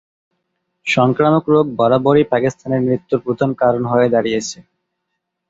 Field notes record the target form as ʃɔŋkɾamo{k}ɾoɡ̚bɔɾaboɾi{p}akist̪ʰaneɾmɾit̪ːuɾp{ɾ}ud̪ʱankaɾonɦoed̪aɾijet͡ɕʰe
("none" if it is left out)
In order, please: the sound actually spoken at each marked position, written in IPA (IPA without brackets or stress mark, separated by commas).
k, p, ɾ